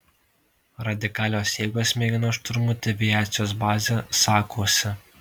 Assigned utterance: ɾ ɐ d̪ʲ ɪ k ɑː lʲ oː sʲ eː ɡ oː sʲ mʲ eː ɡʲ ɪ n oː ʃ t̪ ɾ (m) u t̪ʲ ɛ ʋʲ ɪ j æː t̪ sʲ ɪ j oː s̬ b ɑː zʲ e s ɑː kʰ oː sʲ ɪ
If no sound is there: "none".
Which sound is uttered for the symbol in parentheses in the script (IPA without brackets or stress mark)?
m